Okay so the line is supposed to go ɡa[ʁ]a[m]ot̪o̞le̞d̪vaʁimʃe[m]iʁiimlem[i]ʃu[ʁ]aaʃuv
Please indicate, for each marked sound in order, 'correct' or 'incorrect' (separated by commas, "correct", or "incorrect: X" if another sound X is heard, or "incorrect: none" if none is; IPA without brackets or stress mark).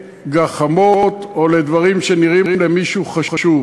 incorrect: χ, correct, incorrect: n, correct, incorrect: χ